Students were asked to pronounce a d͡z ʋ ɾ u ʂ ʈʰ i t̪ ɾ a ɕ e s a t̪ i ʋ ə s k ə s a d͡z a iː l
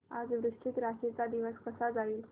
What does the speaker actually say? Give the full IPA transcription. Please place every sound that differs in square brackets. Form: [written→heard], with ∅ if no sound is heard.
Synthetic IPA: a d͡z ʋ ɾ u ʂ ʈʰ i t̪ ɾ a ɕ e [s→t͡s] a [t̪→d̪] i ʋ ə s k ə s a d͡z a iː l